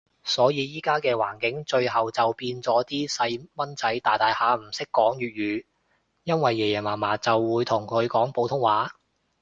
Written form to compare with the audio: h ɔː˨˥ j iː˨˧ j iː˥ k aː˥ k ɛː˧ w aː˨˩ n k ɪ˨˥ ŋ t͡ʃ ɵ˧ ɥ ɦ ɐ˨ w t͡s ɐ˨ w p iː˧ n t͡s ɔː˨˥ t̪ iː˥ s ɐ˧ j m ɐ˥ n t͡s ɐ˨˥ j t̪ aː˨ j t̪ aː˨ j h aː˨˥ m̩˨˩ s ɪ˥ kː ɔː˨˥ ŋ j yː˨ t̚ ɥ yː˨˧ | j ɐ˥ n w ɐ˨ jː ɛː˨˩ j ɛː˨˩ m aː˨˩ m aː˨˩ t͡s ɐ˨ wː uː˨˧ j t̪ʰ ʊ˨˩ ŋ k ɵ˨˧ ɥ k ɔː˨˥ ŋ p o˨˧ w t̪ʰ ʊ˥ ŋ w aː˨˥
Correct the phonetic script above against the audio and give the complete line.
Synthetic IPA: s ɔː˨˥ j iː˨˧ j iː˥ k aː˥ k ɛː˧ w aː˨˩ n k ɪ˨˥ ŋ t͡ʃ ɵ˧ ɥ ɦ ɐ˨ w t͡s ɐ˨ w p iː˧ n t͡s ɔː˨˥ t̪ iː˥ s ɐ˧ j m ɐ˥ n t͡s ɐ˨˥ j t̪ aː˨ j t̪ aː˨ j h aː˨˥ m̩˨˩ s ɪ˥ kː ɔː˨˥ ŋ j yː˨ t̚ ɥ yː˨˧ | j ɐ˥ n w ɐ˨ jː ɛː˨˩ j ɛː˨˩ m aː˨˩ m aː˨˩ t͡s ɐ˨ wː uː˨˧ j t̪ʰ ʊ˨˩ ŋ kʰ ɵ˨˧ ɥ k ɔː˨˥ ŋ p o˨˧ w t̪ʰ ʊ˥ ŋ w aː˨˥

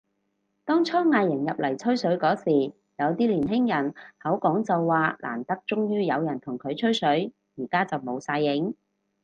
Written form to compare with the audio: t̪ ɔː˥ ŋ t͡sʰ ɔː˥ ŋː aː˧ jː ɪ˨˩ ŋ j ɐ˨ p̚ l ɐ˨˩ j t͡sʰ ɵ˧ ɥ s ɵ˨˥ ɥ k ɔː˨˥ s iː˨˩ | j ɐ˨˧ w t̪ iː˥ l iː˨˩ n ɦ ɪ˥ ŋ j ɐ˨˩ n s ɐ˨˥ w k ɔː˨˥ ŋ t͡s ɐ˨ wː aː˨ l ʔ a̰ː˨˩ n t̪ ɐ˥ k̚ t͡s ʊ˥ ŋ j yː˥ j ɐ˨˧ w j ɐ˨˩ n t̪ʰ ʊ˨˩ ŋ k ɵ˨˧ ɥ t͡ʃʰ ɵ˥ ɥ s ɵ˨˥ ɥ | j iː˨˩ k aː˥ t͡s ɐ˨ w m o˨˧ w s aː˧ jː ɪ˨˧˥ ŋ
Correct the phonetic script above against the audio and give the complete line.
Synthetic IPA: t̪ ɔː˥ ŋ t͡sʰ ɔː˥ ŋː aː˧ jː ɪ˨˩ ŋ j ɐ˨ p̚ l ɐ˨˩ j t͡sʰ ɵ˥ ɥ s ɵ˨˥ ɥ k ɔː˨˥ s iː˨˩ | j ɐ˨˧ w t̪ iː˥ l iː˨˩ n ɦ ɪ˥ ŋ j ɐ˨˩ n h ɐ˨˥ w k ɔː˨˥ ŋ t͡s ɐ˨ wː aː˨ l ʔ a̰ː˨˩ n t̪ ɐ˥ k̚ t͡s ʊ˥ ŋ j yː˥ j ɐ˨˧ w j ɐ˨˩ n t̪ʰ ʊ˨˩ ŋ kʰ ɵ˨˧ ɥ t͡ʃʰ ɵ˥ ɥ s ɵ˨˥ ɥ | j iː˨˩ k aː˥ t͡s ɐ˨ w m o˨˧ w s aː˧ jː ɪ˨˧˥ ŋ

